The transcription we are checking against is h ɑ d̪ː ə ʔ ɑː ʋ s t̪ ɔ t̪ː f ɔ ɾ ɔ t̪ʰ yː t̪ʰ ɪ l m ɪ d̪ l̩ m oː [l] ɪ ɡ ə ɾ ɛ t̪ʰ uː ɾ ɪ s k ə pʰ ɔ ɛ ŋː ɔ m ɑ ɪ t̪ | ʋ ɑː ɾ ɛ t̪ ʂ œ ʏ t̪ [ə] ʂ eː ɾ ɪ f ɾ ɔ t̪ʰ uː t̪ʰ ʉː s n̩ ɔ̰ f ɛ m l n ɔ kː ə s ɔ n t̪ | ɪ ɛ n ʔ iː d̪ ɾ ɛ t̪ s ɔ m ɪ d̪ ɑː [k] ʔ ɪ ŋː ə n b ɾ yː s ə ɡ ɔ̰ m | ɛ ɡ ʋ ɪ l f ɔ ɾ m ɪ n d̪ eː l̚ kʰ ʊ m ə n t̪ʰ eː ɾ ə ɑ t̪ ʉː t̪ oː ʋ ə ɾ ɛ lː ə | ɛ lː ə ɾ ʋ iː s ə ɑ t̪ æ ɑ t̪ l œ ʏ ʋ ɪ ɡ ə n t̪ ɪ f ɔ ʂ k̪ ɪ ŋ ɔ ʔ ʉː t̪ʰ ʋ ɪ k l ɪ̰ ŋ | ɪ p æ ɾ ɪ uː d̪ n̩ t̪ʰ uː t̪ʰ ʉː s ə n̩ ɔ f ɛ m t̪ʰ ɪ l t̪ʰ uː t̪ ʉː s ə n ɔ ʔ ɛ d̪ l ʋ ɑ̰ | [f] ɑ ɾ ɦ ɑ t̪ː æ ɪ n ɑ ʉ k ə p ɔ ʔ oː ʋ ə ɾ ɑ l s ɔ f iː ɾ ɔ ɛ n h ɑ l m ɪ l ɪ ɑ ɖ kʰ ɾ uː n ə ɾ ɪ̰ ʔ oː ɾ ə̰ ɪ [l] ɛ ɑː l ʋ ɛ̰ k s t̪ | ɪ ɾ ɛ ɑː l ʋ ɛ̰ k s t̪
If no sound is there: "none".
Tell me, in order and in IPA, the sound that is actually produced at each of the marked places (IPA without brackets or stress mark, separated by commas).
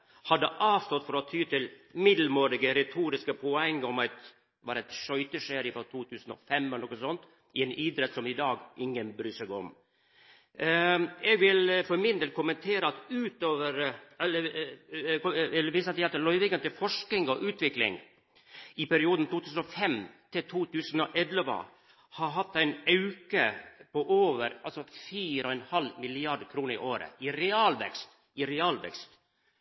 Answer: ɾ, ə, ɡ, h, ɾ